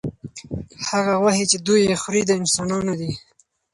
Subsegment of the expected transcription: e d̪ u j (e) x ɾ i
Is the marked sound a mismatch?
no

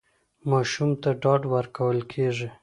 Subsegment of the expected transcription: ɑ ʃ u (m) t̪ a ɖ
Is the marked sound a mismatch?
no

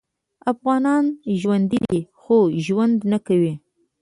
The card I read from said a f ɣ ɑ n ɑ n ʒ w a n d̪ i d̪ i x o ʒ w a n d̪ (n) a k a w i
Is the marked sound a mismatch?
no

